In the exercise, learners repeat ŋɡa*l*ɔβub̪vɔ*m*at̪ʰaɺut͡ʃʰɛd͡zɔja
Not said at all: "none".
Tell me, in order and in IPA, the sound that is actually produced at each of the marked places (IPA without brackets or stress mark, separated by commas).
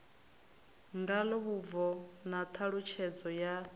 l, n